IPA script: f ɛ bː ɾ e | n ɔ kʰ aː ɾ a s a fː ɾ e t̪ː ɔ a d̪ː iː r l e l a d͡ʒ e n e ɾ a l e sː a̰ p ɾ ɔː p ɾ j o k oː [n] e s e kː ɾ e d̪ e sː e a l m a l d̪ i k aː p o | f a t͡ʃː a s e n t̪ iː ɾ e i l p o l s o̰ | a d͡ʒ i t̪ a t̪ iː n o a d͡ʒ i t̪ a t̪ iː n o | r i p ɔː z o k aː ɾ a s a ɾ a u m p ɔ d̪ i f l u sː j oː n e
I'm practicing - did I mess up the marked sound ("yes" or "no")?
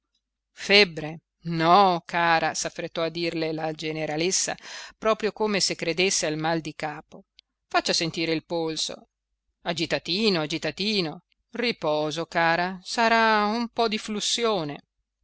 yes